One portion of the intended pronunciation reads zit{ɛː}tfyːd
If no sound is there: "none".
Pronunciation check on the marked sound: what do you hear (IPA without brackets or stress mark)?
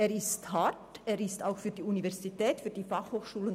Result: ɛː